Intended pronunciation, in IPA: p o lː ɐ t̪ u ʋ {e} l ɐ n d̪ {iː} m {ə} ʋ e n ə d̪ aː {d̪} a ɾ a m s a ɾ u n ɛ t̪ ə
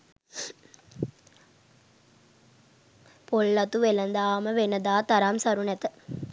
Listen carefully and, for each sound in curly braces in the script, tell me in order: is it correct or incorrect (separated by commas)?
correct, incorrect, correct, incorrect